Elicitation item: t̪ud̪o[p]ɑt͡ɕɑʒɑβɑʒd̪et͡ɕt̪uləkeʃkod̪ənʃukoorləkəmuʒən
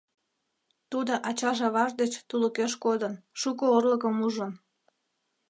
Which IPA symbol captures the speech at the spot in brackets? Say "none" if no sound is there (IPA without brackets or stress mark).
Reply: ʔ